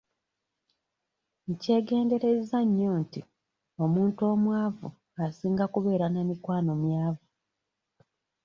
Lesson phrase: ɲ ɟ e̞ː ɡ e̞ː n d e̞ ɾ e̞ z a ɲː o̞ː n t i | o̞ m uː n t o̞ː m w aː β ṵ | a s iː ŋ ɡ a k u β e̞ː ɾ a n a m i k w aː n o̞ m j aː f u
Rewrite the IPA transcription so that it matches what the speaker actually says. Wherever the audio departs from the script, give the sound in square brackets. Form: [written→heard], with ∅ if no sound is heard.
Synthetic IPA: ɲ [ɟ→c] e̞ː ɡ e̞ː n d e̞ ɾ e̞ z a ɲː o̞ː n t i | o̞ m uː n t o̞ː m w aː [β→v] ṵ | a s iː ŋ ɡ a k u β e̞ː ɾ a n a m i k w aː n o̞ m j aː [f→v] u